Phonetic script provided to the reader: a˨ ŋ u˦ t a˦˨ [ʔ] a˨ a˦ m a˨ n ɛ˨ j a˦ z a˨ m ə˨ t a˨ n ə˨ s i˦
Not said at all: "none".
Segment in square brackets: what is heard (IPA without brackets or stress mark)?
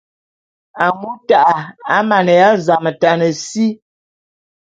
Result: ʔ